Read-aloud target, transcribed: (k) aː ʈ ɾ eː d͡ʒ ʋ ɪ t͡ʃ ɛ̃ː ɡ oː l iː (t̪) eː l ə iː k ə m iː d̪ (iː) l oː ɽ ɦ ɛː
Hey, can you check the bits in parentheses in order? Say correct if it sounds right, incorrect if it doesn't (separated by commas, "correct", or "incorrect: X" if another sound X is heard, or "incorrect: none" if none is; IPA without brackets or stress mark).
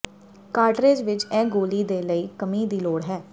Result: correct, incorrect: d̪, correct